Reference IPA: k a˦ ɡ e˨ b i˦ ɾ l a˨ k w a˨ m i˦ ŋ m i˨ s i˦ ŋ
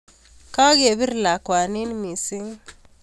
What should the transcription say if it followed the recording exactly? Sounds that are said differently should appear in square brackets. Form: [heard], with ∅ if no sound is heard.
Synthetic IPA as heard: k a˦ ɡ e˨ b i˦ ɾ l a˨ k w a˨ [n] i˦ [n] m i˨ s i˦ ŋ